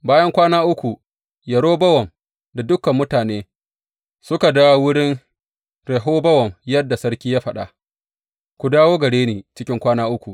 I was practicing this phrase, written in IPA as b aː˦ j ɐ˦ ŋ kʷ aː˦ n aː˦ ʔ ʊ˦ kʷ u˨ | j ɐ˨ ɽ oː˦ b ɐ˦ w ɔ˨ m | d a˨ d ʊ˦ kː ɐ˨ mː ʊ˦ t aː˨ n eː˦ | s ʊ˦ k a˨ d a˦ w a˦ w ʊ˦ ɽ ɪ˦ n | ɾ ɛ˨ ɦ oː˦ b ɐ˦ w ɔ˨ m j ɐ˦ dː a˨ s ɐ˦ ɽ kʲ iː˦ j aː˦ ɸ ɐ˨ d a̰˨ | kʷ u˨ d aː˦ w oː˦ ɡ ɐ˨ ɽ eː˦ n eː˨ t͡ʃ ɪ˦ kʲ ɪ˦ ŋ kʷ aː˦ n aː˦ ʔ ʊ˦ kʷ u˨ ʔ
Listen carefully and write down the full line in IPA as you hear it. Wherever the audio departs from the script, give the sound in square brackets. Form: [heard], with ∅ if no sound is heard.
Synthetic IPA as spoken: b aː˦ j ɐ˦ ŋ kʷ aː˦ n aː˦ ʔ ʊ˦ kʷ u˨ | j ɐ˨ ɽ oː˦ b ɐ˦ w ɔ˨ m | d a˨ d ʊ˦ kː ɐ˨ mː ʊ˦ t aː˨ n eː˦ | s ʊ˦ k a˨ d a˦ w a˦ w ʊ˦ ɽ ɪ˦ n | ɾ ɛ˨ ɦ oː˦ b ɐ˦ w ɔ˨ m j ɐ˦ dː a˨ s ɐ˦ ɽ kʲ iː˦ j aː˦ ɸ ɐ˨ [ɗ] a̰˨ | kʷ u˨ d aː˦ w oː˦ ɡ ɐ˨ ɽ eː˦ n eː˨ t͡ʃ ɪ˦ kʲ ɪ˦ ŋ kʷ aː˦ n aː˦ ʔ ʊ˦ kʷ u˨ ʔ